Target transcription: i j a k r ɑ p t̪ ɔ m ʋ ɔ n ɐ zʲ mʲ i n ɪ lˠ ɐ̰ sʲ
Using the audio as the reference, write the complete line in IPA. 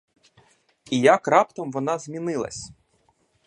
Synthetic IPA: i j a k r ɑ p t̪ ɔ m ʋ ɔ n ɑ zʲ mʲ i n ɪ lˠ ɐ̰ sʲ